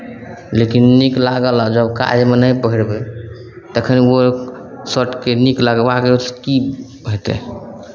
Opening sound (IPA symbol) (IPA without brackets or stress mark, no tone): l